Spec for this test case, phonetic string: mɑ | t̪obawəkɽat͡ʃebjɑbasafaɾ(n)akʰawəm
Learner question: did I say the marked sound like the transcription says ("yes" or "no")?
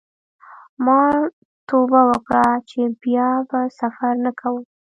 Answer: yes